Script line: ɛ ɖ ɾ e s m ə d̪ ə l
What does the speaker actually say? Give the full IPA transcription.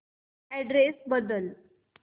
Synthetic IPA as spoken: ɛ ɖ ɾ e s b ə d̪ ə l